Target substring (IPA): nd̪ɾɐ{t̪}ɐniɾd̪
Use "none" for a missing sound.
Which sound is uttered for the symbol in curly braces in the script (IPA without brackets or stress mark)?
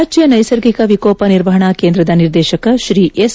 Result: d̪